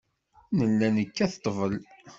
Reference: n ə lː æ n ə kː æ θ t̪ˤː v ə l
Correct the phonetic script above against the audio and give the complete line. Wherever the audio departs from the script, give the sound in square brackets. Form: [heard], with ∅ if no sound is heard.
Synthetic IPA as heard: n ə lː æ n ə kː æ θ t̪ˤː v ə l